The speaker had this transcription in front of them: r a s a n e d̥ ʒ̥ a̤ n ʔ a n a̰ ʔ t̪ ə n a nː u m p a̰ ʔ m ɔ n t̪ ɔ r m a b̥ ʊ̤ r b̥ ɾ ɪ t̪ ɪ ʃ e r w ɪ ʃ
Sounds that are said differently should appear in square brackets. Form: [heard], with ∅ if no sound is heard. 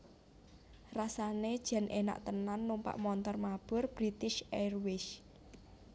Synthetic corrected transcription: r a s a n e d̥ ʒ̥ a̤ n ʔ [e] n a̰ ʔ t̪ ə n a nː u m p a̰ ʔ m ɔ n t̪ ɔ r m a b̥ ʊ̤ r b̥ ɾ [i] t̪ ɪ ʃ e r w ɪ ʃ